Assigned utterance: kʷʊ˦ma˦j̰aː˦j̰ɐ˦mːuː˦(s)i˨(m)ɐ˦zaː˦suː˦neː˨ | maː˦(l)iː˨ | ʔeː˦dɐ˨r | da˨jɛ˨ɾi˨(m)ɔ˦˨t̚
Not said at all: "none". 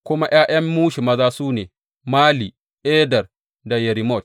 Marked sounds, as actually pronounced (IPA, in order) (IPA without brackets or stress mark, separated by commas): ʃ, m, l, m